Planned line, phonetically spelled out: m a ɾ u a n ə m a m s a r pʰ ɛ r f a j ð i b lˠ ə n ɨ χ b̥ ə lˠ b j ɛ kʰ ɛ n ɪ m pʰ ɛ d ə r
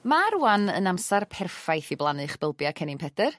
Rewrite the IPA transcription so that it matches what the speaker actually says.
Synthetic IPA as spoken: m a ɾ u a n ə n a m s a r pʰ ɛ r f a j θ i b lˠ a n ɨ χ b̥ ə lˠ b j a kʰ ɛ n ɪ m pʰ ɛ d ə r